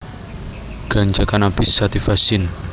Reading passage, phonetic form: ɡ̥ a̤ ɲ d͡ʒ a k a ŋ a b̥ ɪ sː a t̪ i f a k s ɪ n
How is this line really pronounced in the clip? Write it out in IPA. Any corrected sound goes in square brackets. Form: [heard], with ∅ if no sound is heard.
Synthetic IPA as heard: ɡ̥ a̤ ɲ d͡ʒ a k a [n] a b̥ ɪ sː a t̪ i f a [∅] s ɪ n